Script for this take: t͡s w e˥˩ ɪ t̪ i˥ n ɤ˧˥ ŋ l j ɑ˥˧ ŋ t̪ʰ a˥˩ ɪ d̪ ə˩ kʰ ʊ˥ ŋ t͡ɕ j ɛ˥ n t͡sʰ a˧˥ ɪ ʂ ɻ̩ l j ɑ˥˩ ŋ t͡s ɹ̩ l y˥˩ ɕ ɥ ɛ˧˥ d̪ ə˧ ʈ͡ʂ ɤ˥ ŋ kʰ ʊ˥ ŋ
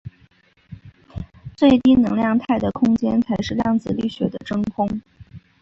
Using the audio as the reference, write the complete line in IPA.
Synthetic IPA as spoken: t͡s w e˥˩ ɪ t̪ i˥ n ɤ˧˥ ŋ l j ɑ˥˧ ŋ t̪ʰ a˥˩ ɪ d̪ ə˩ kʰ ʊ˥ ŋ t͡ɕ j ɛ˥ n t͡sʰ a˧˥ ɪ ʂ ɻ̩ l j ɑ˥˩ ŋ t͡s ɹ̩ l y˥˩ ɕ ɥ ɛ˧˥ d̪ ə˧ ʈ͡ʂ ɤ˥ ŋ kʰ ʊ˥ ŋ

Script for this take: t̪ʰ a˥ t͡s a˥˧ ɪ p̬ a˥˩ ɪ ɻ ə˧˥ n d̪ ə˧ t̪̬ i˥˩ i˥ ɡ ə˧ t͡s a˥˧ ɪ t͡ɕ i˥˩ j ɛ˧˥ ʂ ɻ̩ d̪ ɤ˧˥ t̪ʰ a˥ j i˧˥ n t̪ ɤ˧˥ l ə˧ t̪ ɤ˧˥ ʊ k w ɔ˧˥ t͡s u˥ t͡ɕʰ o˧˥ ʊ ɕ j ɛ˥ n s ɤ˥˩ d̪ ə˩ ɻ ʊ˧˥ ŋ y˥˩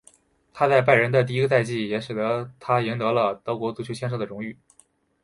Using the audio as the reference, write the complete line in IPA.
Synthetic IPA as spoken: t̪ʰ a˥ t͡s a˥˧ ɪ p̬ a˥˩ ɪ ɻ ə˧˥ n d̪ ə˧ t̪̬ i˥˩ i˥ ɡ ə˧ t͡s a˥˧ ɪ t͡ɕ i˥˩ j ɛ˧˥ ʂ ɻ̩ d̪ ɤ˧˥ t̪ʰ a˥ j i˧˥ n t̪ ɤ˧˥ l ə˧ t̪ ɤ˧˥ ʊ k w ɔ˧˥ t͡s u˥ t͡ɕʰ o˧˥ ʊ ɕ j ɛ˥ n ʂ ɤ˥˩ d̪ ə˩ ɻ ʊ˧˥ ŋ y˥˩

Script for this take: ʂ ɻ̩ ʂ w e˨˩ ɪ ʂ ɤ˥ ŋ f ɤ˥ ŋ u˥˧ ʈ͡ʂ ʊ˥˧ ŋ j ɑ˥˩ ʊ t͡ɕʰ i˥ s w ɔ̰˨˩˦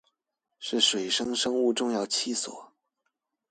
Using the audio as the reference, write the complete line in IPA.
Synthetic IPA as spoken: ʂ ɻ̩ ʂ w e˨˩ ɪ ʂ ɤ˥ ŋ ʂ ɤ˥ ŋ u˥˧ ʈ͡ʂ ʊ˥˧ ŋ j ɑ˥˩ ʊ t͡ɕʰ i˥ s w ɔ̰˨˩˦

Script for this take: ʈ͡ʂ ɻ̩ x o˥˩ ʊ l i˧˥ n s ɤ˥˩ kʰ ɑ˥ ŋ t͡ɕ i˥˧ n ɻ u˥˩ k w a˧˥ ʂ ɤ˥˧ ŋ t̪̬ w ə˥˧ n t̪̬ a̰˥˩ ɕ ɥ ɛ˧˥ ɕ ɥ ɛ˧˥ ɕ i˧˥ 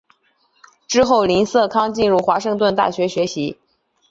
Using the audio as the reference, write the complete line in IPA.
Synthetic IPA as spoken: ʈ͡ʂ ɻ̩ x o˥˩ ʊ l i˧˥ n s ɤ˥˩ kʰ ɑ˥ ŋ t͡ɕ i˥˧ n ɻ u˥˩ x w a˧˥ ʂ ɤ˥˧ ŋ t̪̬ w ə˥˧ n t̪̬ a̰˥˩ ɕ ɥ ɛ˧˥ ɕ ɥ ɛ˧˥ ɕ i˧˥

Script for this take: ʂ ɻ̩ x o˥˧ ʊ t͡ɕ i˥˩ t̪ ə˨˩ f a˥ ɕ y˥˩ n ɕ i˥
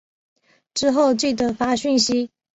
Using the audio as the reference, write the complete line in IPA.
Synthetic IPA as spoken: ʈ͡ʂ ɻ̩ x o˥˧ ʊ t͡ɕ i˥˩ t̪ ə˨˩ f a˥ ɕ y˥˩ n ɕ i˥

